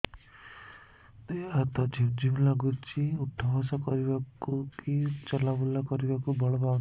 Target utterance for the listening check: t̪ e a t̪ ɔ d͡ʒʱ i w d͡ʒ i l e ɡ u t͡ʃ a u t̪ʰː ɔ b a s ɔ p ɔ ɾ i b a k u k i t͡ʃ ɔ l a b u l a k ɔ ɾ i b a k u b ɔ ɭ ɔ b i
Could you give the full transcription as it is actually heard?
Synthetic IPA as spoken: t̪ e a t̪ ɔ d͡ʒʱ i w d͡ʒ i l a ɡ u t͡ʃ i u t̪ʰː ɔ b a s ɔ k ɔ ɾ i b a k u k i t͡ʃ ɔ l a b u l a k ɔ ɾ i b a k u b ɔ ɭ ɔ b a

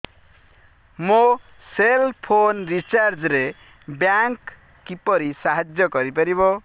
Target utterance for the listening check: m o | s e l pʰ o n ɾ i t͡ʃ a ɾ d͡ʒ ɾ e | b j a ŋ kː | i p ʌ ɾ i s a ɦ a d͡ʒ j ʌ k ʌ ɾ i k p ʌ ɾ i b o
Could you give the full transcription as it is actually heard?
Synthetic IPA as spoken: m o | s e l pʰ o n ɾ i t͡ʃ a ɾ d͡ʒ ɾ e | b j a ŋ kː | i p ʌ ɾ i s a ɦ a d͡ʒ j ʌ k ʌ ɾ i p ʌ ɾ i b o

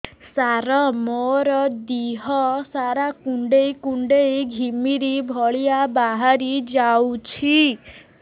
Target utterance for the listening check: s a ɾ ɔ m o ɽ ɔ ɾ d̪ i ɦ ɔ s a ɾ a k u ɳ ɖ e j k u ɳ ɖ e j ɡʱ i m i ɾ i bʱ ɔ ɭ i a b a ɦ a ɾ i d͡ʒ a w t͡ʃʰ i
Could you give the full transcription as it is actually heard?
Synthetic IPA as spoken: s a ɾ ɔ m o ɾ ɔ d̪ i ɦ ɔ s a ɾ a k u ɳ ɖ e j k u ɳ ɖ e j ɡʱ i m i ɾ i bʱ ɔ ɭ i a b a ɦ a ɾ i d͡ʒ a w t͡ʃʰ i

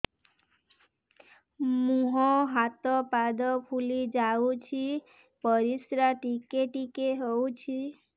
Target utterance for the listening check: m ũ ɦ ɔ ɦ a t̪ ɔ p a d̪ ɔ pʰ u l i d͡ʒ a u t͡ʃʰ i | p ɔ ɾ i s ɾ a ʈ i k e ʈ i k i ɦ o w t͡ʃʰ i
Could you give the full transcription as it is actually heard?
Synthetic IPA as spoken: m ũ ɦ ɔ ɦ a t̪ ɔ p a d̪ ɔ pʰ u l i d͡ʒ a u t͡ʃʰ i | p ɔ ɾ i s ɾ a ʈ i k e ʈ i k e ɦ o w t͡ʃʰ i

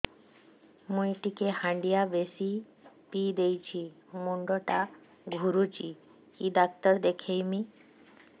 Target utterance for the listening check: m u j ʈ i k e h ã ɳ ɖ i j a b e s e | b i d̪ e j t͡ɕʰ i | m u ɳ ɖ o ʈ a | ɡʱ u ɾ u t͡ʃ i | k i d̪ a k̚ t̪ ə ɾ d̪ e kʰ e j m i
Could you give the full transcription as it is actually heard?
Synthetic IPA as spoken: m u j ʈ i k e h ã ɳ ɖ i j a b e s i | p i d̪ e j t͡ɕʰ i | m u ɳ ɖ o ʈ a | ɡʱ u ɾ u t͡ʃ i | k i d̪ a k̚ t̪ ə ɾ d̪ e kʰ e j m i

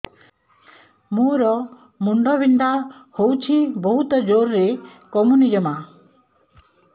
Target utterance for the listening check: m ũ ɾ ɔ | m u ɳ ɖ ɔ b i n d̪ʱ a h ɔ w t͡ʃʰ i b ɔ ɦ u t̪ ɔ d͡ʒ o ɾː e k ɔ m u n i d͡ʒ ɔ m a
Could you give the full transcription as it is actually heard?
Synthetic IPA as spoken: m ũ ɾ ɔ | m u ɳ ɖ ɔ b i n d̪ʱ a h o w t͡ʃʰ i b ɔ ɦ u t̪ ɔ d͡ʒ o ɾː e k ɔ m u n i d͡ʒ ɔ m a

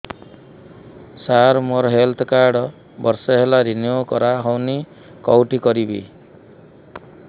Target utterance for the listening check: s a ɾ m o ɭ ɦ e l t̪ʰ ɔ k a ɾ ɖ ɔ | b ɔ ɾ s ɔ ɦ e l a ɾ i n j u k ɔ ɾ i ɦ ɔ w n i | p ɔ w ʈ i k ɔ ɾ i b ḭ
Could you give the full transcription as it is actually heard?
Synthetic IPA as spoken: s a ɾ m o ɾ ɦ e l t̪ʰ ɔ k a ɾ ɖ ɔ | b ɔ ɾ s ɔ ɦ e l a ɾ i n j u k ɔ ɾ a ɦ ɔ w n i | k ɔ w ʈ i k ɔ ɾ i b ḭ

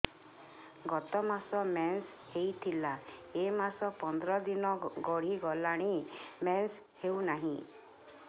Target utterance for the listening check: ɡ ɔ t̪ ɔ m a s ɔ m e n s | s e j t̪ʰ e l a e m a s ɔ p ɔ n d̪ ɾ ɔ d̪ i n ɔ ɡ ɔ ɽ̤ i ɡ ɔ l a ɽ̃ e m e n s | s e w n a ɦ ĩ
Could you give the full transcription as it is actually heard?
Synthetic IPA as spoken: ɡ ɔ t̪ ɔ m a s ɔ m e n s | h e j t̪ʰ i l a e m a s ɔ p ɔ n d̪ ɾ ɔ d̪ i n ɔ ɡ ɔ ɽ̤ i ɡ ɔ l a ɽ̃ i m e n s | h e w n a ɦ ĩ

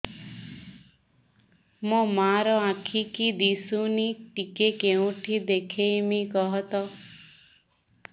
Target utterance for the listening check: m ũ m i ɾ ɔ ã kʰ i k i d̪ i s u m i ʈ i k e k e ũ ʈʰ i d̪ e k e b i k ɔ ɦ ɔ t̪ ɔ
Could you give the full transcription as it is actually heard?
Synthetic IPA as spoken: m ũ m a ɾ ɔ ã kʰ i k i d̪ i s u n i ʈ i k e k e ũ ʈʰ i d̪ e kʰ e m i k ɔ ɦ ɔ t̪ ɔ

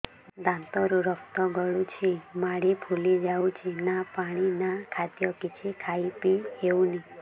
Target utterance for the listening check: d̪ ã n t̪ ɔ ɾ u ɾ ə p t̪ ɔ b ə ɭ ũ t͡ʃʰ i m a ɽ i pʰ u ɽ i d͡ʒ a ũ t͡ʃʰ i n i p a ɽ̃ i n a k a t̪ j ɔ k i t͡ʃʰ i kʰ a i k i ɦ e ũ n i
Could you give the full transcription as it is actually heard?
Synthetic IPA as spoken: d̪ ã n t̪ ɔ ɾ u ɾ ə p t̪ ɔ ɡ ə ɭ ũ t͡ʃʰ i m a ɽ i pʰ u l i d͡ʒ a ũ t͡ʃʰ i n a p a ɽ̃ i n a kʰ a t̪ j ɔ k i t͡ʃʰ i kʰ a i p i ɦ e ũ n i

